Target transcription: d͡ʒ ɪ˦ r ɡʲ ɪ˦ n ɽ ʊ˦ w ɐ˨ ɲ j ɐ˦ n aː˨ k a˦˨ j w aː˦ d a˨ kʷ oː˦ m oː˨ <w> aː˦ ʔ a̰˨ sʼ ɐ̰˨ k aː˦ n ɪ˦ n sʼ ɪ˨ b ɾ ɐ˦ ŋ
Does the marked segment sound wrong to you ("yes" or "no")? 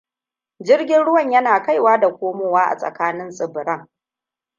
no